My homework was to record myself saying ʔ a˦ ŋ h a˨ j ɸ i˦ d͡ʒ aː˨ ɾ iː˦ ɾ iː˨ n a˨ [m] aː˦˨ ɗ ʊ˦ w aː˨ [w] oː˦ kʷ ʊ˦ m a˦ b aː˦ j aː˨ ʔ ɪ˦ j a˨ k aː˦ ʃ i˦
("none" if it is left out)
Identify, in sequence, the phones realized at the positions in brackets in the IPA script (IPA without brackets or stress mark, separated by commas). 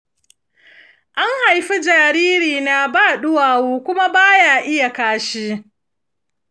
b, w